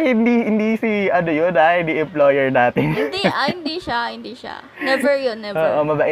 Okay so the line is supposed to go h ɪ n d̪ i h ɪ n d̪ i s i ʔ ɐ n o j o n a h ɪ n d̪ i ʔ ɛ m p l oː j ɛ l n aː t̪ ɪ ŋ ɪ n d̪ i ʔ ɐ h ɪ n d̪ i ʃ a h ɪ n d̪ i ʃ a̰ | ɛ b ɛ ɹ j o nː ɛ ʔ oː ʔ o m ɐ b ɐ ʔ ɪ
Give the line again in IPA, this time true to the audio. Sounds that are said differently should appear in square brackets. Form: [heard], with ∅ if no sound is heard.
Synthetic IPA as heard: h ɪ n d̪ i h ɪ n d̪ i s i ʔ ɐ n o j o n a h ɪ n d̪ i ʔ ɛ m p l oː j ɛ [ɹ] n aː t̪ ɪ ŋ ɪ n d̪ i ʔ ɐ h ɪ n d̪ i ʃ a h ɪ n d̪ i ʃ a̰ | ɛ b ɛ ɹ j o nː ɛ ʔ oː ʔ o m ɐ b ɐ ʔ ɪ